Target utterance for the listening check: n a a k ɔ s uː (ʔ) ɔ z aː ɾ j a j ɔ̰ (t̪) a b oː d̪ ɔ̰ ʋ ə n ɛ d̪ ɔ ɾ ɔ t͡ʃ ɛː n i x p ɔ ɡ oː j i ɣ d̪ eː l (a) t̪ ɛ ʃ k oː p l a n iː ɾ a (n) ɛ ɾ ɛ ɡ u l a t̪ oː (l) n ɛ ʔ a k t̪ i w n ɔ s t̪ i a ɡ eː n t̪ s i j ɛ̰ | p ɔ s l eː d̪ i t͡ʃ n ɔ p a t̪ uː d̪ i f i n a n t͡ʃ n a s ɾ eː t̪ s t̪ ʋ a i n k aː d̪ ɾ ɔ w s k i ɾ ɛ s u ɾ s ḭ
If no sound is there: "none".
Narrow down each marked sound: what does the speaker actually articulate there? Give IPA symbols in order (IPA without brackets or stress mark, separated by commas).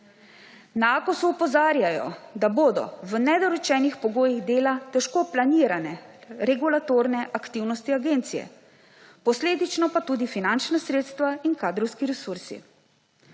p, d̪, a, n, ɾ